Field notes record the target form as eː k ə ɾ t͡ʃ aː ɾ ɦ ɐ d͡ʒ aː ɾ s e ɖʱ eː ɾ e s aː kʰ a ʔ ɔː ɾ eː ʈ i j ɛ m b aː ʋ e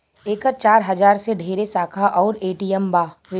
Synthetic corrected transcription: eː k ə ɾ t͡ʃ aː ɾ ɦ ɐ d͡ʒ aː ɾ s e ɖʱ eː ɾ e s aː kʰ a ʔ ɔː ɾ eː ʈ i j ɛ m b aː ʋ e